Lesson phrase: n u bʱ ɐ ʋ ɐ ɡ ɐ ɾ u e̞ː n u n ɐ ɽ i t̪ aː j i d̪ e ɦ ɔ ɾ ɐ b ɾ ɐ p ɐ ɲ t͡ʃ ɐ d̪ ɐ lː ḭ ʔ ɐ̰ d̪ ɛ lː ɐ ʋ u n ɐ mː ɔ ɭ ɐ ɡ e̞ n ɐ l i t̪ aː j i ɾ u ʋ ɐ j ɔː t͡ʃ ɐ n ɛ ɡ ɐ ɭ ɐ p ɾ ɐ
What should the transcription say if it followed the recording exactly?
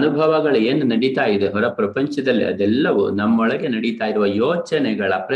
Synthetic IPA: n u bʱ ɐ ʋ ɐ ɡ ɐ ɭ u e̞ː n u n ɐ ɽ i t̪ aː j i d̪ e ɦ ɔ ɾ ɐ p ɾ ɐ p ɐ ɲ t͡ʃ ɐ d̪ ɐ lː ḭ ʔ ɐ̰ d̪ ɛ lː ɐ ʋ u n ɐ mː ɔ ɭ ɐ ɡ e̞ n ɐ ɽ i t̪ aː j i ɾ u ʋ ɐ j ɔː t͡ʃ ɐ n ɛ ɡ ɐ ɭ ɐ p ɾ ɐ